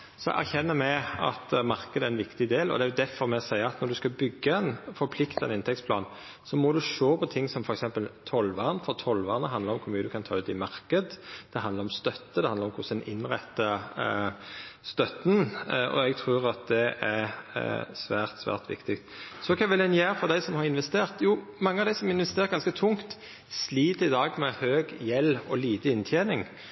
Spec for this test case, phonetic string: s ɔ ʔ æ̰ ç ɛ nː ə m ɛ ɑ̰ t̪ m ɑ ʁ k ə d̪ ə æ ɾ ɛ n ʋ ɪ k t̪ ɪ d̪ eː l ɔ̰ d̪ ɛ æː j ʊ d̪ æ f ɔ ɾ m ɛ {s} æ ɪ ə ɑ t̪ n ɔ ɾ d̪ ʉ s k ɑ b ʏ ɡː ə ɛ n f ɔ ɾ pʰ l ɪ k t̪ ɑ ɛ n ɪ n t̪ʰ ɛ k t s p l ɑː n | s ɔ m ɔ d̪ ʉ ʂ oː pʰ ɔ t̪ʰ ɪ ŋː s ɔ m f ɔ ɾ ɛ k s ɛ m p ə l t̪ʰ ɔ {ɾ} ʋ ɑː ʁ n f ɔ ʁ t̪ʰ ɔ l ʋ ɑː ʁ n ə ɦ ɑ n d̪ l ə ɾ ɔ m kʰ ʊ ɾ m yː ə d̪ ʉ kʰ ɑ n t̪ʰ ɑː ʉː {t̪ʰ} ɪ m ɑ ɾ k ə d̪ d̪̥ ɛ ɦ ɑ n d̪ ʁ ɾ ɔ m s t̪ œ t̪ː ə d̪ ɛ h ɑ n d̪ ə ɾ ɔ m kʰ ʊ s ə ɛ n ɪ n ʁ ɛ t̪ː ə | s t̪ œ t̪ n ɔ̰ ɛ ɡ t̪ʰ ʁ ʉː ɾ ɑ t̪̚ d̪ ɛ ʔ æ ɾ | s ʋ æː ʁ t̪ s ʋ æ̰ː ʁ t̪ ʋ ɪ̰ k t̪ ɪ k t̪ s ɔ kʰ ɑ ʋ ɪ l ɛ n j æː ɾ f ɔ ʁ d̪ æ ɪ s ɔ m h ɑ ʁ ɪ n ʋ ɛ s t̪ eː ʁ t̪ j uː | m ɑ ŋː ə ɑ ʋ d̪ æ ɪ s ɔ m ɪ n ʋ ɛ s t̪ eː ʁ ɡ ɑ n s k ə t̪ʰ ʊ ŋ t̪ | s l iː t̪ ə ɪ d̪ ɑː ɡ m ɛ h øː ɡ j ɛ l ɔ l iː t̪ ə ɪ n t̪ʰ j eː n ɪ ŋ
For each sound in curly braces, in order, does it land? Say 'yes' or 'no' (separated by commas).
yes, no, no